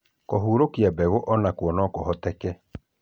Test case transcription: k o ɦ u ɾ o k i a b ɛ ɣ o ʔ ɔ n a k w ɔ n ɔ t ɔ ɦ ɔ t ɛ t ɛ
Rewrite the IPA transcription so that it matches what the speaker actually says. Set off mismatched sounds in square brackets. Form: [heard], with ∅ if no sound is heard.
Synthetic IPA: k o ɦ u ɾ o k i a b ɛ ɣ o ʔ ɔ n a k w ɔ n ɔ [k] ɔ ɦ ɔ t ɛ [k] ɛ